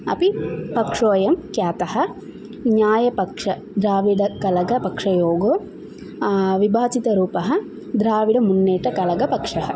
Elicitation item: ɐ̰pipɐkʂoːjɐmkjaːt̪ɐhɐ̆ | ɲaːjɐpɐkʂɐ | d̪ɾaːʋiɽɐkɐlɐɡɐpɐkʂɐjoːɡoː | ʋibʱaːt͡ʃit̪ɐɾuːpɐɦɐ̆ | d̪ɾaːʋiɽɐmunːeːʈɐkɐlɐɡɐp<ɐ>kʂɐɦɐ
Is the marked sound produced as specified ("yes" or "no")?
yes